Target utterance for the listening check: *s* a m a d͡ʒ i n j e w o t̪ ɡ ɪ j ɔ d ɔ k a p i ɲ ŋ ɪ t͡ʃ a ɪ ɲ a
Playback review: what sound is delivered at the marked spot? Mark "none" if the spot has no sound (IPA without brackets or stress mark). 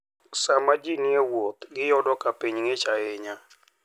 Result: s